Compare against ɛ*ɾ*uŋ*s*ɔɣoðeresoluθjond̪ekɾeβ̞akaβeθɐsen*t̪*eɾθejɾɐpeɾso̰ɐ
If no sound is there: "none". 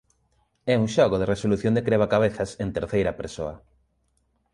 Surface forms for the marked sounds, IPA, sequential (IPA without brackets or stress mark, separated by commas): none, ʃ, t̪